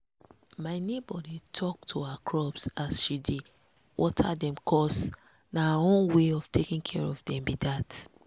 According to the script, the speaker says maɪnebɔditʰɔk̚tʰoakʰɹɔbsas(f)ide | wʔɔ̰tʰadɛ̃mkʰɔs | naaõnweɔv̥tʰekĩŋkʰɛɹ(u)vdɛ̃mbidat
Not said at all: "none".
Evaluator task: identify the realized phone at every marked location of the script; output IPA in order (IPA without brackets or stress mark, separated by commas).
ʃ, ɔ